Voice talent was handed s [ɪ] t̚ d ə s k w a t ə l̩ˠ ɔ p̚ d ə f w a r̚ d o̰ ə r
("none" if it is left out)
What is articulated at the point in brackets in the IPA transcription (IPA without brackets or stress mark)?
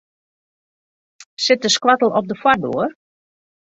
ɪ